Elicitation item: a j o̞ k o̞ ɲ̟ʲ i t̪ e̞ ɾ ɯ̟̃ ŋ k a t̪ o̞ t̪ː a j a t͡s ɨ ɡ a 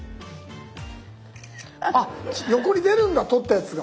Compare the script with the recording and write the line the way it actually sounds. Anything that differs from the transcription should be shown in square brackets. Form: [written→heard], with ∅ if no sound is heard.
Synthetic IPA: a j o̞ k o̞ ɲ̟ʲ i [t̪→d̪] e̞ ɾ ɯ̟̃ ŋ [k→ɡ] a t̪ o̞ t̪ː a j a t͡s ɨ ɡ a